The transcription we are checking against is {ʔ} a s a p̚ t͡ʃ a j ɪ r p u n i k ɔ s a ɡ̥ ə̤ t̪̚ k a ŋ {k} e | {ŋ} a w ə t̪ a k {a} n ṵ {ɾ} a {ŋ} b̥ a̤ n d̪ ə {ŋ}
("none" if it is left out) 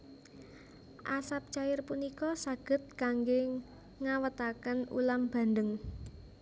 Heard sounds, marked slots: ʔ, ɡ, ŋ, ə, l, m, ŋ

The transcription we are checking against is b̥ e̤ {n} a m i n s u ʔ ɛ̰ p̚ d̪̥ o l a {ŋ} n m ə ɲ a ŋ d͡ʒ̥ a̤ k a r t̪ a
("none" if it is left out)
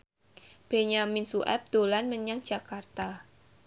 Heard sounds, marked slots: ɲ, none

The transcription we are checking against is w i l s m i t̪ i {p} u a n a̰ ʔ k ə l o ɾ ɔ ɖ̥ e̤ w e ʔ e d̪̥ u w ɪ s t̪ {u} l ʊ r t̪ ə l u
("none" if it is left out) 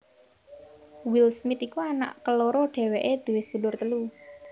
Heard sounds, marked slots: k, u

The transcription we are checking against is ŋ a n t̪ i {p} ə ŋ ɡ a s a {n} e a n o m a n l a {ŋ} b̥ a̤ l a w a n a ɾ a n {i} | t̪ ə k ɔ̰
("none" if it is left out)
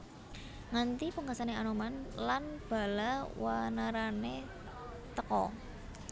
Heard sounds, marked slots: p, n, n, e

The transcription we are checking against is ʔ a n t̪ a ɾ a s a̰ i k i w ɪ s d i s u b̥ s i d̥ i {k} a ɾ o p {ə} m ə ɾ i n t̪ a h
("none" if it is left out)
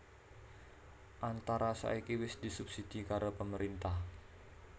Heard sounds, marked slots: k, ə

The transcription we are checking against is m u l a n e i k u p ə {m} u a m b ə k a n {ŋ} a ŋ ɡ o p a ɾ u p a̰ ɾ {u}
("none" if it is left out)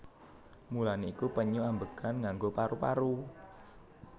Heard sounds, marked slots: ɲ, ŋ, u

